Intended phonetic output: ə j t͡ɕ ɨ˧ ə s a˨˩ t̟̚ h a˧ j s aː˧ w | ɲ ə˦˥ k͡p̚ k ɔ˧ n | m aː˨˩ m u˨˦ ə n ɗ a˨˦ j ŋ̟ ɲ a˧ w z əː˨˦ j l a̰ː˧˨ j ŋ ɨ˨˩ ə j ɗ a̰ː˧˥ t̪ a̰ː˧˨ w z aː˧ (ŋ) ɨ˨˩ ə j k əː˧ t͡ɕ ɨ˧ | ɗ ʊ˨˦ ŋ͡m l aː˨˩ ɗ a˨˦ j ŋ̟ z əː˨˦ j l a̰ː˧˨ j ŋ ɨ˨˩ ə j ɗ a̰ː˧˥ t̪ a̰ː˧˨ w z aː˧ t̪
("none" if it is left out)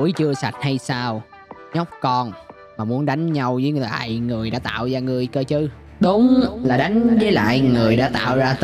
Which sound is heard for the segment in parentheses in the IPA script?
ŋ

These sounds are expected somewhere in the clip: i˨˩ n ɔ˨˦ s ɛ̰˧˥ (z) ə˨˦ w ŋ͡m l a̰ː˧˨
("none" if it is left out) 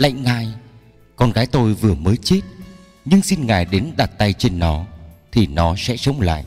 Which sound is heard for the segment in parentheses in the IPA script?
s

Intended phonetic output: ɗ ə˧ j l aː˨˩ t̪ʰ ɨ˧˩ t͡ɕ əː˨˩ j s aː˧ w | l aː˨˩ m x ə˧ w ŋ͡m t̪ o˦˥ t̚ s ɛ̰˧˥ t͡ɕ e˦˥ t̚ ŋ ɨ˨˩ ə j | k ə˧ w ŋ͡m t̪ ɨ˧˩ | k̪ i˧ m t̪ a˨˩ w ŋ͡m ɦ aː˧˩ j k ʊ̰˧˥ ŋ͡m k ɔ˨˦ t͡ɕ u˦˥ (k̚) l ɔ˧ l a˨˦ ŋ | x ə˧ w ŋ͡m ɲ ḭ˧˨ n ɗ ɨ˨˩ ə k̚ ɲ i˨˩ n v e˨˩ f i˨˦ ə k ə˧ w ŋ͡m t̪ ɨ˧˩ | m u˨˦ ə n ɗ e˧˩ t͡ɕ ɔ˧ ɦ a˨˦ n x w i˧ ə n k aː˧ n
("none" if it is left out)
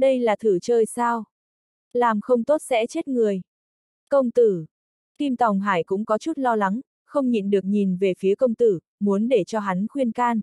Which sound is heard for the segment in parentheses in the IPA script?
t̚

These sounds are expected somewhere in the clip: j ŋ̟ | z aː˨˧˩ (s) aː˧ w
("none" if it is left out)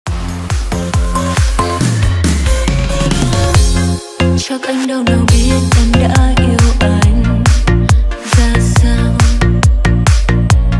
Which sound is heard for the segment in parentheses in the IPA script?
s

